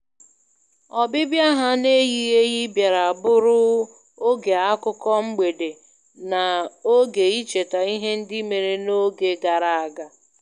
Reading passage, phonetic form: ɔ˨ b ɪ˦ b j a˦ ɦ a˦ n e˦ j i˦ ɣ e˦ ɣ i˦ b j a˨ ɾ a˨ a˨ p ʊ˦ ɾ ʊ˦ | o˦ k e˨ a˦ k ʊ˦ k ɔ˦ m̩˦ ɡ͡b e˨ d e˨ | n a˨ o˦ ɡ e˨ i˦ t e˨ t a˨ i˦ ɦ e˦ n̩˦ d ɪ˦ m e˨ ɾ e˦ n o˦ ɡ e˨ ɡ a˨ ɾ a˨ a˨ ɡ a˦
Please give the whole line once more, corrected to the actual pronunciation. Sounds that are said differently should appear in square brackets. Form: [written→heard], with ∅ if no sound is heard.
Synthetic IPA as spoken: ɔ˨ b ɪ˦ b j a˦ ɦ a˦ n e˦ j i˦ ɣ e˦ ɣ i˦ b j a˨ ɾ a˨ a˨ [p→b] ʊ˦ ɾ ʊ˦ | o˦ [k→ɡ] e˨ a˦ k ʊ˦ k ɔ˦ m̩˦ ɡ͡b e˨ d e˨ | n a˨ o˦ ɡ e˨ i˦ [t→t͡ʃ] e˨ t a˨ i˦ ɦ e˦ n̩˦ d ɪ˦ m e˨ ɾ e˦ n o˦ ɡ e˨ ɡ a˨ ɾ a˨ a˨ ɡ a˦

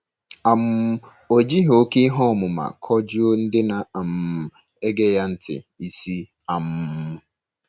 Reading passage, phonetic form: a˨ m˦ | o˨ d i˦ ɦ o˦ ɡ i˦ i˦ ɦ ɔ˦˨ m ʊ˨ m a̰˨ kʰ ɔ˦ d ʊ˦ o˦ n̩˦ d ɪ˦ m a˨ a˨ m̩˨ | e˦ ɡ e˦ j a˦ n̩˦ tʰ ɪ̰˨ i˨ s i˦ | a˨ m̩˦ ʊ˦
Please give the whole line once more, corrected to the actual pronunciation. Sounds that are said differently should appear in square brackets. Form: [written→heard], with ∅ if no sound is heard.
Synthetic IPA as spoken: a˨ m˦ | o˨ [d→d͡ʒ] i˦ ɦ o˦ [ɡ→k] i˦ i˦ ɦ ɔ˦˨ m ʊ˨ m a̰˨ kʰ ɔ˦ [d→d͡ʒ] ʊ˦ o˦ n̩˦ d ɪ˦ [m→n] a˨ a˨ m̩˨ | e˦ ɡ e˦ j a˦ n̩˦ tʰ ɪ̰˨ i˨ s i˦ | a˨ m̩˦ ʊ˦

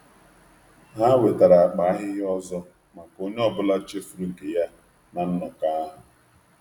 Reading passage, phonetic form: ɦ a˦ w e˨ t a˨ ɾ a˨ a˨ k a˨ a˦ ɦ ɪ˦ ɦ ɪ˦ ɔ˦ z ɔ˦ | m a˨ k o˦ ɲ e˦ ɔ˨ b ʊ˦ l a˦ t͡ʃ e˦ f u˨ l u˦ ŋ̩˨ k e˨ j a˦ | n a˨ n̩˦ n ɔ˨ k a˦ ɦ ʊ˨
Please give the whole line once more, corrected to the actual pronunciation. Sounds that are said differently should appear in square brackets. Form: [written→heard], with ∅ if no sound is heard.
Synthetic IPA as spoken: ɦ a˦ w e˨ t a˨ ɾ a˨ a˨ [k→k͡p] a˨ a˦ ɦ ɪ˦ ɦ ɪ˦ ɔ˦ z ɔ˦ | m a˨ k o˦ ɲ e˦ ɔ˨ b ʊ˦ l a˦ t͡ʃ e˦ f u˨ [l→ɾ] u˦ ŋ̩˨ k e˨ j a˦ | n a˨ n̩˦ n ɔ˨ k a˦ ɦ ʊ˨

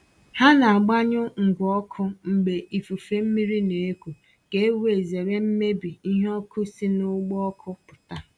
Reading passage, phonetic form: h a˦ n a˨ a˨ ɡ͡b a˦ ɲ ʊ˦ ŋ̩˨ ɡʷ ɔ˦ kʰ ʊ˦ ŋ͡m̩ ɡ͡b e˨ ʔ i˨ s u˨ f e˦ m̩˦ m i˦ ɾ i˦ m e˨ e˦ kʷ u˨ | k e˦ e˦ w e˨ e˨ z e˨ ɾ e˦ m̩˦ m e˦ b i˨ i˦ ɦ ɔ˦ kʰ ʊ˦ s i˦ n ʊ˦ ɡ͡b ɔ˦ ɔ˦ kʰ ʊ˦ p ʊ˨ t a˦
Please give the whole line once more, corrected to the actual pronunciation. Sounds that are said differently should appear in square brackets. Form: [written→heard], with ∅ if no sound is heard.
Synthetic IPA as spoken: h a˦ n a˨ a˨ ɡ͡b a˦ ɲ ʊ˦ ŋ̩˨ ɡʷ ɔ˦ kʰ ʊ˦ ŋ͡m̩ ɡ͡b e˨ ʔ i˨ [s→f] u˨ f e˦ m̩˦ m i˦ ɾ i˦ [m→n] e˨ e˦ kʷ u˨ | k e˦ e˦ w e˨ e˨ z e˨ ɾ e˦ m̩˦ m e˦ b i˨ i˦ ɦ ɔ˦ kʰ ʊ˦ s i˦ n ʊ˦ ɡ͡b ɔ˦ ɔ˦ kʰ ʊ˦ p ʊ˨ t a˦

